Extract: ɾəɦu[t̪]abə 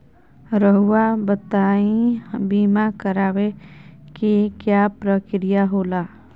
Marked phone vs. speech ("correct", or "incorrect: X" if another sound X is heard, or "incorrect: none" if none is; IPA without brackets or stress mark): incorrect: none